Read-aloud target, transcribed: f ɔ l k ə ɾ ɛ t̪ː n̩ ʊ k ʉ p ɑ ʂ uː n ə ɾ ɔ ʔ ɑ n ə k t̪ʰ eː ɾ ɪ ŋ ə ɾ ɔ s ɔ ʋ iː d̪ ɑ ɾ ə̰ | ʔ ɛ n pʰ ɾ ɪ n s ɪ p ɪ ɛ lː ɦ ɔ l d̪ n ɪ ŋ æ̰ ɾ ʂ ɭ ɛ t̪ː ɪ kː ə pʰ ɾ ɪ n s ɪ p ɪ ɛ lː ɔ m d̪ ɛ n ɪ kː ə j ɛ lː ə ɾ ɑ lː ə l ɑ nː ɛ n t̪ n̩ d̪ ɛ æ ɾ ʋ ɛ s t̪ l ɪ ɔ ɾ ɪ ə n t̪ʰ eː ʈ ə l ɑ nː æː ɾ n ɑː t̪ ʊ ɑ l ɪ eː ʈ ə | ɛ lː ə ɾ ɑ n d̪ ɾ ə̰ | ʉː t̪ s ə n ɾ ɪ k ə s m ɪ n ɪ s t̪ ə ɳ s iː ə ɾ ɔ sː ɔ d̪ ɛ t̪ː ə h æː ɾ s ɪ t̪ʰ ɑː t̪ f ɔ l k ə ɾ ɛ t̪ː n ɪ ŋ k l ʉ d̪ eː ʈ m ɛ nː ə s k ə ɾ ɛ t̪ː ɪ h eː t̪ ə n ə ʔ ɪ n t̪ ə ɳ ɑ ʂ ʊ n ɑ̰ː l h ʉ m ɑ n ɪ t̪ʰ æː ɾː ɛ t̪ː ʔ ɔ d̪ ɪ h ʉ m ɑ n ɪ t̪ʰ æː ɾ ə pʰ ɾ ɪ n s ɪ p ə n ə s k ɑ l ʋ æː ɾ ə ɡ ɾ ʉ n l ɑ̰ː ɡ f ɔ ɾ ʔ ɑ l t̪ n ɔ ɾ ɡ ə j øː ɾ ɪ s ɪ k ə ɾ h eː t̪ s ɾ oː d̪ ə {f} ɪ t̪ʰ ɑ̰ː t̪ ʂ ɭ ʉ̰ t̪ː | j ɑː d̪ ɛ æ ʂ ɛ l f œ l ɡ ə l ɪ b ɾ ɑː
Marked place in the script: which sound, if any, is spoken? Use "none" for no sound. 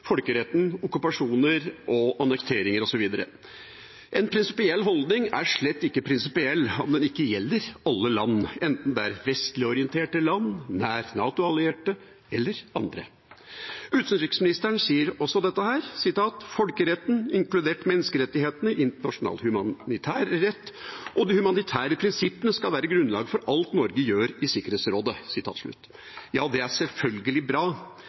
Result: s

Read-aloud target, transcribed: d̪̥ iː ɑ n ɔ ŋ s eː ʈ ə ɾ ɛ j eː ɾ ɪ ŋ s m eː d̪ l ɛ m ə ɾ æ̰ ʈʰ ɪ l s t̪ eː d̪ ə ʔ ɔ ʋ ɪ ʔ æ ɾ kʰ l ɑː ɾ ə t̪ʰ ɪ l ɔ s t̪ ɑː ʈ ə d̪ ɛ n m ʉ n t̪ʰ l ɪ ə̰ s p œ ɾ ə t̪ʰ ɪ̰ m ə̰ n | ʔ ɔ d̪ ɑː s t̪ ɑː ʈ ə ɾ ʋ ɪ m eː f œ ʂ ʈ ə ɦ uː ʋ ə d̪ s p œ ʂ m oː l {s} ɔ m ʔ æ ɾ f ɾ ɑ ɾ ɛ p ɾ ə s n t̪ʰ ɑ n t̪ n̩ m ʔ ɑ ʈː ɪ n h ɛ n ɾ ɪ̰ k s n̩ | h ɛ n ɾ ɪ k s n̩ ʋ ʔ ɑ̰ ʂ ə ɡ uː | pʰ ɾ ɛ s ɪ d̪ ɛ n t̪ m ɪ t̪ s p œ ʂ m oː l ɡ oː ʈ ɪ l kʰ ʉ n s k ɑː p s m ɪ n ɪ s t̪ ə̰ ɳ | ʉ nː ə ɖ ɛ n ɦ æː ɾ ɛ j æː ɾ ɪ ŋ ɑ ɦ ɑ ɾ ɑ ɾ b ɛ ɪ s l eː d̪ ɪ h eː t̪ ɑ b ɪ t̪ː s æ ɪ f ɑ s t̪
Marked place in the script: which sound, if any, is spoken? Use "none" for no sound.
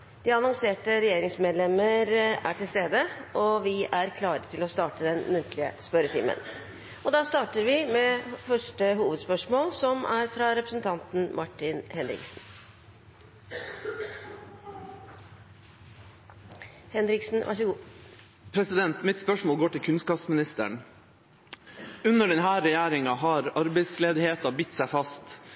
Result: s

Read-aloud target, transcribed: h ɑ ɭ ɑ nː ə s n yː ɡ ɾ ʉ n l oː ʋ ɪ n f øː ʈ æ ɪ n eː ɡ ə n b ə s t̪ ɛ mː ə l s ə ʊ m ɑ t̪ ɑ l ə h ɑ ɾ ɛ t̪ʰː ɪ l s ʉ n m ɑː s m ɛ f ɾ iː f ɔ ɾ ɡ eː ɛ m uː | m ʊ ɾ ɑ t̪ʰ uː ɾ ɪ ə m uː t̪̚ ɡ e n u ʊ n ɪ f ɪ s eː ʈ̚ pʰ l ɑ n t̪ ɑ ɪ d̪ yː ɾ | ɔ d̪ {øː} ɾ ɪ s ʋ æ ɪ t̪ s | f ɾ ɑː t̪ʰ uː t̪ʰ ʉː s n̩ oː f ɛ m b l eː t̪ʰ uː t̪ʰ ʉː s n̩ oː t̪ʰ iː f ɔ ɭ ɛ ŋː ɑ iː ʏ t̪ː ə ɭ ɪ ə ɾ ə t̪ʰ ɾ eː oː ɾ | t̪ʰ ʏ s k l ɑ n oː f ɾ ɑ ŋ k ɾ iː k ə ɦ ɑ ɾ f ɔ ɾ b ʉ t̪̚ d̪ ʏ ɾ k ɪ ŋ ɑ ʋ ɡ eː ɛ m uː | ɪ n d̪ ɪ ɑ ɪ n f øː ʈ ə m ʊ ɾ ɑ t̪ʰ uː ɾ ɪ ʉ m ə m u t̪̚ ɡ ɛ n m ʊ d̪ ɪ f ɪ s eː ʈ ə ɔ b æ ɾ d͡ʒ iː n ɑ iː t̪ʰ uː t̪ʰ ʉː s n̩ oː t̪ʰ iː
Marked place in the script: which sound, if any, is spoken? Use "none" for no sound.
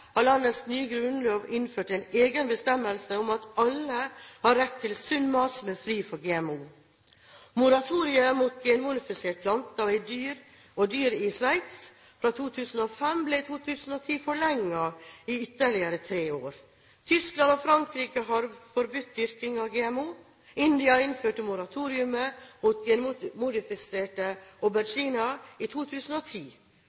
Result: yː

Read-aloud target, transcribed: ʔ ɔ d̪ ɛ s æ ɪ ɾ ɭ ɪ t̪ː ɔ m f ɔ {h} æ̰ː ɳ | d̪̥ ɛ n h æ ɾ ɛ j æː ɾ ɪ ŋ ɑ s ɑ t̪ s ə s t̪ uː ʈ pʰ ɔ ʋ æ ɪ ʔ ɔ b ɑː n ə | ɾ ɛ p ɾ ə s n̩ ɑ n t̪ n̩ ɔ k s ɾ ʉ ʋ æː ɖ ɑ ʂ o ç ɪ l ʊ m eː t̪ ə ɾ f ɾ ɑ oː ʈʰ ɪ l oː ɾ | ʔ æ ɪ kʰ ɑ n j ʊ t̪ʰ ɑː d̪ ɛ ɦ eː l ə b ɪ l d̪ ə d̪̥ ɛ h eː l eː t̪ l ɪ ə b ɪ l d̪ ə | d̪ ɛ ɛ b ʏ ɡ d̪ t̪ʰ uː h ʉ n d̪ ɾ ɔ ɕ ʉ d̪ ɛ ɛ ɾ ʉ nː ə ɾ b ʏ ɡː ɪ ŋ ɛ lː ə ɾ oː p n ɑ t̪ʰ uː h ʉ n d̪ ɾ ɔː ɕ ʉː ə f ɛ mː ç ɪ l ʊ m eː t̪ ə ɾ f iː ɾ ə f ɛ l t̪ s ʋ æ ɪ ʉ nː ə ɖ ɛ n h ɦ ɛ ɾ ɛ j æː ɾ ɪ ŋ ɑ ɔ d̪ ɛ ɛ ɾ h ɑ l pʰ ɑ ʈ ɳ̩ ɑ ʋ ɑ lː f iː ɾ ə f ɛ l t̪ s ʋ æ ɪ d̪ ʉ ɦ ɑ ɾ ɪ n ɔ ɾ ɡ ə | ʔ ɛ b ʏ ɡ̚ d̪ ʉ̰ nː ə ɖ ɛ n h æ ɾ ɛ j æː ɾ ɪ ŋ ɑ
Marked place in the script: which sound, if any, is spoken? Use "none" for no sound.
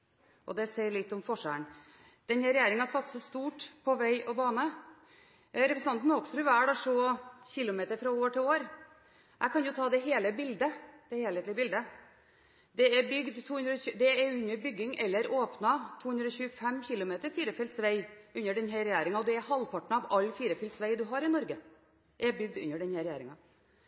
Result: ʂ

